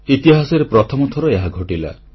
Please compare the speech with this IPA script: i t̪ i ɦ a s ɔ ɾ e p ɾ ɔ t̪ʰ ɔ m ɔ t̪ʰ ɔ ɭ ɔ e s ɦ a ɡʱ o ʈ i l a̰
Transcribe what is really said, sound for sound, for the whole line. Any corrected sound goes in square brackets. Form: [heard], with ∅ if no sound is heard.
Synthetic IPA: i t̪ i ɦ a s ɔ ɾ e p ɾ ɔ t̪ʰ ɔ m ɔ t̪ʰ ɔ [ɾ] ɔ e [∅] ɦ a ɡʱ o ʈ i l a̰